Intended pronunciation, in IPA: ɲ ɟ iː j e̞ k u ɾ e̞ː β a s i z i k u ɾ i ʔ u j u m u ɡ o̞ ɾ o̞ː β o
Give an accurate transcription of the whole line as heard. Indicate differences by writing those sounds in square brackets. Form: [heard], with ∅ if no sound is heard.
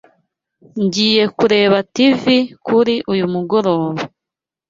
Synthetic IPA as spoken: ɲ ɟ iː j e̞ k u ɾ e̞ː β a [t] i [v] i k u ɾ i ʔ u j u m u ɡ o̞ ɾ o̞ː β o